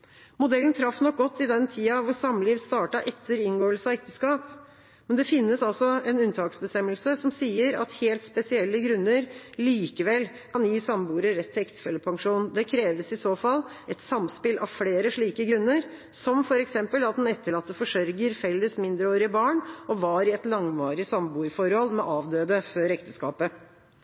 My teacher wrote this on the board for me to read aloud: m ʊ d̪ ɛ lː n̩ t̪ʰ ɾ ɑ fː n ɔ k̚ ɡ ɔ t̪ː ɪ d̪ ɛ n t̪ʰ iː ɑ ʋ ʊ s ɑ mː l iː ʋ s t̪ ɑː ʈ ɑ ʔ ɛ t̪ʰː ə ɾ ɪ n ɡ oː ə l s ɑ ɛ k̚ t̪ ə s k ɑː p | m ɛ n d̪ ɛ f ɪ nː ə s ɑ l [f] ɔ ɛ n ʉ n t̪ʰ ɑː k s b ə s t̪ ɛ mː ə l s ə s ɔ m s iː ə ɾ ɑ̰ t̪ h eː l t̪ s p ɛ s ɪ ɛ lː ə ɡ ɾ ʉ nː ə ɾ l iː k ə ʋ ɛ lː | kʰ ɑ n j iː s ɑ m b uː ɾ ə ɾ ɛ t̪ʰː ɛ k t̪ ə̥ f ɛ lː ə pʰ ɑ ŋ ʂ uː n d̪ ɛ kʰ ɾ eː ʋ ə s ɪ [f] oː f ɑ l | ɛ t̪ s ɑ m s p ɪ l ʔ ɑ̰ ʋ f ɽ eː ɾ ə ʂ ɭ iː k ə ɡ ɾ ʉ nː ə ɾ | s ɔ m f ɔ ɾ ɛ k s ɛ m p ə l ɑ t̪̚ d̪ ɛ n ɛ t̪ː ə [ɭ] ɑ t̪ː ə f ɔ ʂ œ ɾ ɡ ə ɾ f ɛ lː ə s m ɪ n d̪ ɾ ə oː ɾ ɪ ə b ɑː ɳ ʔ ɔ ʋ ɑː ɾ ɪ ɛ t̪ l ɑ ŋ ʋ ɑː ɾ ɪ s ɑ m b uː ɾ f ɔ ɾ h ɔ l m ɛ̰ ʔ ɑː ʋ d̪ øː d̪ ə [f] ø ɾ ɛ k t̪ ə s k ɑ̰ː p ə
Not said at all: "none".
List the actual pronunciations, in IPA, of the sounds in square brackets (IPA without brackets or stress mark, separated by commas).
s, s, ɭ, f